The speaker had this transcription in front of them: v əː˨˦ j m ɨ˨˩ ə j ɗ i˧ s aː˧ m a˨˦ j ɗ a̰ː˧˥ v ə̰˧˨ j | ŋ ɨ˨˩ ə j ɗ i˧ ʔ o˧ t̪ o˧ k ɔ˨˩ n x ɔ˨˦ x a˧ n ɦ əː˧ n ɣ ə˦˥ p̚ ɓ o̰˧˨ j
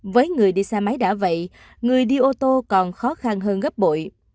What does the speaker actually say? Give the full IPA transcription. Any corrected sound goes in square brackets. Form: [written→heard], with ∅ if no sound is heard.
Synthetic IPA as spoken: v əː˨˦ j [m→ŋ] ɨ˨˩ ə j ɗ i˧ s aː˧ m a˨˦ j ɗ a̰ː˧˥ v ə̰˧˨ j | ŋ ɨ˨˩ ə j ɗ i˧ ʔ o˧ t̪ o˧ k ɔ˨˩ n x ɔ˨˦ x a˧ n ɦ əː˧ n ɣ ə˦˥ p̚ ɓ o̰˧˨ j

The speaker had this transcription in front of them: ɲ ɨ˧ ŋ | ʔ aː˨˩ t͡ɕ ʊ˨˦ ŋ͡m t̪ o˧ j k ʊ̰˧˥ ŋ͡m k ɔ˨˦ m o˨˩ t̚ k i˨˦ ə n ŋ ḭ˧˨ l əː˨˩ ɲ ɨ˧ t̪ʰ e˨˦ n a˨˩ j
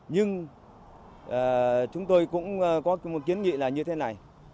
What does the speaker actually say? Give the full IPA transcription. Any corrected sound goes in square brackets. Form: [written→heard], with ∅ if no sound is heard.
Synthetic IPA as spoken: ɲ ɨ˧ ŋ | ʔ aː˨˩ t͡ɕ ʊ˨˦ ŋ͡m t̪ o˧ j k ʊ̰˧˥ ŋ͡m k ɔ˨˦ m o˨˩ t̚ k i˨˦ ə n ŋ ḭ˧˨ l [əː˨˩→aː˨˩] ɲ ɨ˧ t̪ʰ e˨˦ n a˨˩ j

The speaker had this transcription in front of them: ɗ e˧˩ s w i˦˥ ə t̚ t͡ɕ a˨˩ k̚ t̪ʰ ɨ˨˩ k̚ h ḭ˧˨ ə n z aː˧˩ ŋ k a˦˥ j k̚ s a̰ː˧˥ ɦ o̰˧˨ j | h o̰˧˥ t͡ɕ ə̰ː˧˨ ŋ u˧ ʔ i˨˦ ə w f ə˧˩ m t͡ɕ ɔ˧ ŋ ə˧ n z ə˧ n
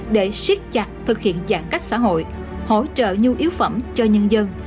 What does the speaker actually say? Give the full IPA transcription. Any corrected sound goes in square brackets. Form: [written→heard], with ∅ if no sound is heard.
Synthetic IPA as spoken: ɗ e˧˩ s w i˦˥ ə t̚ t͡ɕ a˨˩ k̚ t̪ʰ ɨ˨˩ k̚ h ḭ˧˨ ə n z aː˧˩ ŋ k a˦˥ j k̚ s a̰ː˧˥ ɦ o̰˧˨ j | h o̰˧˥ t͡ɕ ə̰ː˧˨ [ŋ→ɲ] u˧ ʔ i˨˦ ə w f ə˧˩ m t͡ɕ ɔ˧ [ŋ→ɲ] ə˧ n z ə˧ n

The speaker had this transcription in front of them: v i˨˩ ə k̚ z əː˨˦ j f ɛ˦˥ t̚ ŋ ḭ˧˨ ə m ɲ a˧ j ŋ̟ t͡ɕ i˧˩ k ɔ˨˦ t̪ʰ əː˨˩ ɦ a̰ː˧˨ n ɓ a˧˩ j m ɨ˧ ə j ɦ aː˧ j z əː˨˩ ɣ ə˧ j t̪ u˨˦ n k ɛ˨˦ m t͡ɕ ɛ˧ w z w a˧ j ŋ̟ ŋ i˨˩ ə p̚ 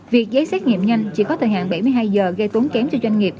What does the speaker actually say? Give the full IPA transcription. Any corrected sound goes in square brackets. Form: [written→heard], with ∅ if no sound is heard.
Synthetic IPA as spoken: v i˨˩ ə k̚ z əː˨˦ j [f→s] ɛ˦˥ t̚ ŋ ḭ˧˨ ə m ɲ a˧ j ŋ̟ t͡ɕ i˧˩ k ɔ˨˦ t̪ʰ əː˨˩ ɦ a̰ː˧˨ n ɓ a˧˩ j m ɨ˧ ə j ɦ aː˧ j z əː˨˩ ɣ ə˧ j t̪ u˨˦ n k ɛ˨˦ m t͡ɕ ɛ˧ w z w a˧ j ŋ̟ ŋ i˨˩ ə p̚

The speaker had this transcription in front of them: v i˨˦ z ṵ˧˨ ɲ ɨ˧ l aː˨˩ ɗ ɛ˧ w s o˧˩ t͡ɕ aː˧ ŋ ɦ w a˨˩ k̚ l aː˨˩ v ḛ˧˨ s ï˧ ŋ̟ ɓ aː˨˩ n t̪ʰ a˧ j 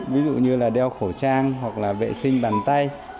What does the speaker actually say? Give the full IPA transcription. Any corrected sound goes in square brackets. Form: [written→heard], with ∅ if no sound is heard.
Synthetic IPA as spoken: v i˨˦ z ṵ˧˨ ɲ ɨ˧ l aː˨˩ ɗ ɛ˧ w [s→x] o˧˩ t͡ɕ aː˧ ŋ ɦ w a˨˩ k̚ l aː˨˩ v ḛ˧˨ s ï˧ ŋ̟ ɓ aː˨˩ n [t̪ʰ→t̪] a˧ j

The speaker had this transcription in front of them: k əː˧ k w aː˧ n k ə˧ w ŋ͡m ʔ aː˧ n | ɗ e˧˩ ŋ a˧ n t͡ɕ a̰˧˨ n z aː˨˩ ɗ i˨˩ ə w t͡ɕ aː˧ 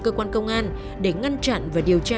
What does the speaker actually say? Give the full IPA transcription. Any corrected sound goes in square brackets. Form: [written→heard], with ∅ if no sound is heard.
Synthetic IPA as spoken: k əː˧ k w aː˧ n k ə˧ w ŋ͡m ʔ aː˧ n | ɗ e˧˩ ŋ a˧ n t͡ɕ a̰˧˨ n [z→v] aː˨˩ ɗ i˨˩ ə w t͡ɕ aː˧

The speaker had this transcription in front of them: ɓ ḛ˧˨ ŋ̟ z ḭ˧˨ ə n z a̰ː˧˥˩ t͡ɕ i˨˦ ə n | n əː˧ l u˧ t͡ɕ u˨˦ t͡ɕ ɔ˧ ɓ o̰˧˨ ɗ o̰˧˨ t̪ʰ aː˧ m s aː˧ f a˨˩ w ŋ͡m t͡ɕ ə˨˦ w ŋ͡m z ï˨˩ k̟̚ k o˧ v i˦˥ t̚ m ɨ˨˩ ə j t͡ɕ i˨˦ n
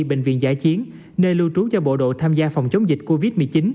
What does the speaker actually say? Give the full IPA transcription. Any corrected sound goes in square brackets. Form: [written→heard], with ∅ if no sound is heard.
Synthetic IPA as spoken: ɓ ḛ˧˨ ŋ̟ [z→v] ḭ˧˨ ə n z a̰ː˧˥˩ t͡ɕ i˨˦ ə n | n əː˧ l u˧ t͡ɕ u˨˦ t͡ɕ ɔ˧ ɓ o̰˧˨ ɗ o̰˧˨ t̪ʰ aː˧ m [s→z] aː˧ f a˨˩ w ŋ͡m t͡ɕ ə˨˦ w ŋ͡m z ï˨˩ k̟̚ k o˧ v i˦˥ t̚ m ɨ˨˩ ə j t͡ɕ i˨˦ n

